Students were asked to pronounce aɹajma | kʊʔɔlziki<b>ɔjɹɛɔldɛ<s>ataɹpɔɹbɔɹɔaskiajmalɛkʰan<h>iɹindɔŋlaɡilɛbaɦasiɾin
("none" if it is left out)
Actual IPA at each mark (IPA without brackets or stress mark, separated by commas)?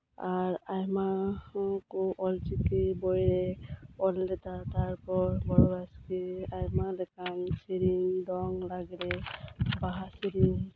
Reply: b, t, s